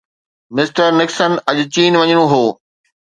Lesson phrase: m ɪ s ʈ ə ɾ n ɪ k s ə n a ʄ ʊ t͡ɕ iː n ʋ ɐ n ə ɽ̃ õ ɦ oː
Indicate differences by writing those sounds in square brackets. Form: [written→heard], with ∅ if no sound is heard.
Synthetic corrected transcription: m ɪ s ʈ ə ɾ n ɪ k s ə n [a→ɐ] ʄ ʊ t͡ɕ iː n ʋ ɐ [n→ɲ] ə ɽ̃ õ ɦ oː